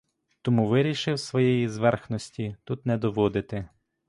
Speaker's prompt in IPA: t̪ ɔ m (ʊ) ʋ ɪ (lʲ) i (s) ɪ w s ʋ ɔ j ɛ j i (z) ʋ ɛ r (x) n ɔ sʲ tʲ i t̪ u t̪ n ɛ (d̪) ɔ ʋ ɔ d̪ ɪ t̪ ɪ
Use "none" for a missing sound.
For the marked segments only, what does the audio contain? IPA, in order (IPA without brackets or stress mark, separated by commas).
u, ɾʲ, ʃ, z, x, d̪